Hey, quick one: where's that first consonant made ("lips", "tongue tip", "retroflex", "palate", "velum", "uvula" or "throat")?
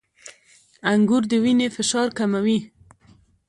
velum